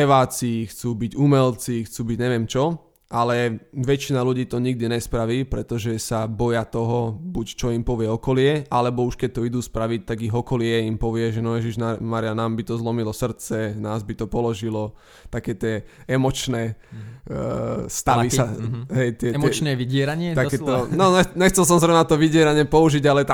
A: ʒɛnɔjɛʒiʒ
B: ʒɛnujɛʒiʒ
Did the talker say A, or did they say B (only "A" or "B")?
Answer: A